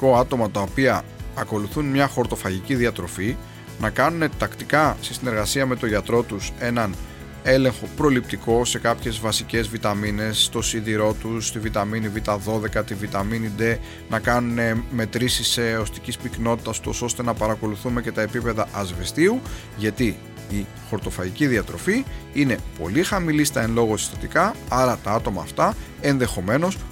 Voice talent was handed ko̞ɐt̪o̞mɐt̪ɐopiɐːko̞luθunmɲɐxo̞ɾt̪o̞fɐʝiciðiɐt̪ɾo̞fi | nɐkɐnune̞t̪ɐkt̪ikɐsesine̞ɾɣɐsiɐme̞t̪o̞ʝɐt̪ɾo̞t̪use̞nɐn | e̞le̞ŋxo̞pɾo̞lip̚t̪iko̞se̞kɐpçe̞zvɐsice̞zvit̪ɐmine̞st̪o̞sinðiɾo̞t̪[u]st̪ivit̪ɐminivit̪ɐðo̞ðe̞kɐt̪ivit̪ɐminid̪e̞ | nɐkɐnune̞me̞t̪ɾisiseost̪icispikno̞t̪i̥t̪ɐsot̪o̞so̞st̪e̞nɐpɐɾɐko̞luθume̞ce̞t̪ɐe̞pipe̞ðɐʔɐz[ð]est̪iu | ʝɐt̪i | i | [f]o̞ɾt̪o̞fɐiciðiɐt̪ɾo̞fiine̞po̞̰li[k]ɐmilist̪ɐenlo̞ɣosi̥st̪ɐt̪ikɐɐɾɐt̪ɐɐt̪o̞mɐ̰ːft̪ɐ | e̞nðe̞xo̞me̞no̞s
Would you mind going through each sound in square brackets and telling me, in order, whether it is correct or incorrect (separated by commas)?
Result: correct, incorrect, incorrect, incorrect